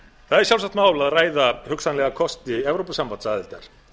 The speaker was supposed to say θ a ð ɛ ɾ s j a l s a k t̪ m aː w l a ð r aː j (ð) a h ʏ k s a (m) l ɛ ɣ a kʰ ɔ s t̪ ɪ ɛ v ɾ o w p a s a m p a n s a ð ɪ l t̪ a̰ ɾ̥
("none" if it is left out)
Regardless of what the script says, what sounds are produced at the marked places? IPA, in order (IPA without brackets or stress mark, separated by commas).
ð, n